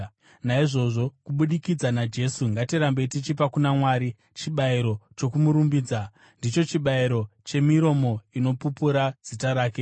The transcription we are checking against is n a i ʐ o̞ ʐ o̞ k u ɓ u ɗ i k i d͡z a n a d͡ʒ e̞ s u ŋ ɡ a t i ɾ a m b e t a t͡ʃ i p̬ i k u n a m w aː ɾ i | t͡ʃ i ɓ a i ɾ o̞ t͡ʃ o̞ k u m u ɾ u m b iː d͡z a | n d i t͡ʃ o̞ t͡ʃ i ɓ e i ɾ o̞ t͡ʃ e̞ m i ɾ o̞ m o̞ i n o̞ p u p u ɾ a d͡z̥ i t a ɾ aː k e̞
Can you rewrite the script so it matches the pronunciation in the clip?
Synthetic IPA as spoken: n a i ʐ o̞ ʐ o̞ k u ɓ u ɗ i k i d͡z a n a d͡ʒ e̞ s u ŋ ɡ a t i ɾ a m b e t i t͡ʃ i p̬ a k u n a m w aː ɾ i | t͡ʃ i ɓ a i ɾ o̞ t͡ʃ o̞ k u m u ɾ u m b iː d͡z a | n d i t͡ʃ o̞ t͡ʃ i ɓ a i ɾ o̞ t͡ʃ e̞ m i ɾ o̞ m o̞ i n o̞ p u p u ɾ a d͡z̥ i t a ɾ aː k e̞